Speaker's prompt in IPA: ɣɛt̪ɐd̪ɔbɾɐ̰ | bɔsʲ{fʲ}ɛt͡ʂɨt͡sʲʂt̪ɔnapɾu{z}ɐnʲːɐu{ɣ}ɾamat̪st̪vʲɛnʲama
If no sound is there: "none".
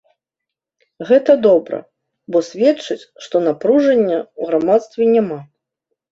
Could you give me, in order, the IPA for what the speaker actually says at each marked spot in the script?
vʲ, ʐ, ɣ

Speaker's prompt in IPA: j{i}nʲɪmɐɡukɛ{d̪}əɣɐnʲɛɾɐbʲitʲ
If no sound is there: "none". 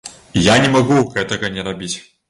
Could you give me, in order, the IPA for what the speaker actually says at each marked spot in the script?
a, t̪

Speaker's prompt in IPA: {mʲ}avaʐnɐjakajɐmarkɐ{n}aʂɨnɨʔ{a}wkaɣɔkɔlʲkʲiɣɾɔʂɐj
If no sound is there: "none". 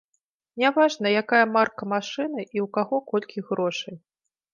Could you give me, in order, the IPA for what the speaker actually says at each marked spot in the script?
nʲ, m, i

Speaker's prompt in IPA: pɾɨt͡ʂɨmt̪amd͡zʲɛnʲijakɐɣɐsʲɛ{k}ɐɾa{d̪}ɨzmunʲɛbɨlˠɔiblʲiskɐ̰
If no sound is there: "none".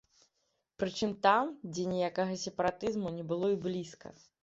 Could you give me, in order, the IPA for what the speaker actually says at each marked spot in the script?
p, t̪

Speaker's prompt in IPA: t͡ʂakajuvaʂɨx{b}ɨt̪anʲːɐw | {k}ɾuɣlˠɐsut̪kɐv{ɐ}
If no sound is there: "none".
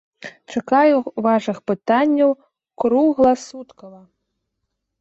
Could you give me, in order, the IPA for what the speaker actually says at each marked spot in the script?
p, k, ɐ

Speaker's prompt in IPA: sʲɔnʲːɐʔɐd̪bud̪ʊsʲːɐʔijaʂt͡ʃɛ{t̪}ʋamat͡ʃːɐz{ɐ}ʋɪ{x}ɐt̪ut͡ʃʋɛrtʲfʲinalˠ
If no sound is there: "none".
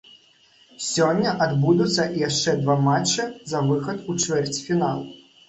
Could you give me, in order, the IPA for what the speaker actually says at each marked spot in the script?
d̪, ɐ, x

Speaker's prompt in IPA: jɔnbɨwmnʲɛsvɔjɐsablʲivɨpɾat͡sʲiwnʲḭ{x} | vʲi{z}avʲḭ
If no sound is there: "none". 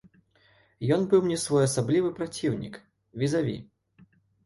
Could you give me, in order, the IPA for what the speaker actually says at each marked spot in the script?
k, z

